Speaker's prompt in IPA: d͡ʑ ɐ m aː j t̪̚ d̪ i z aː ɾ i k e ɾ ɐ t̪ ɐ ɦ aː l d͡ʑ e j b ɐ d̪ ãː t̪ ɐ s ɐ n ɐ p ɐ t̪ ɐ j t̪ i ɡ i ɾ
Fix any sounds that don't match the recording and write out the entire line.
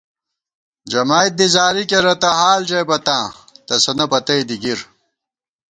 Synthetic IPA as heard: d͡ʑ ɐ m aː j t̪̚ d̪ i z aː ɾ i k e ɾ ɐ t̪ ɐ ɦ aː l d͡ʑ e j b ɐ t̪ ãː t̪ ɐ s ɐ n ɐ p ɐ t̪ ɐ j d̪ i ɡ i ɾ